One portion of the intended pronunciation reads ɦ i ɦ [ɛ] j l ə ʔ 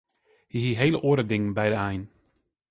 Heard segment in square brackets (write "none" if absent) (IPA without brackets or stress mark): e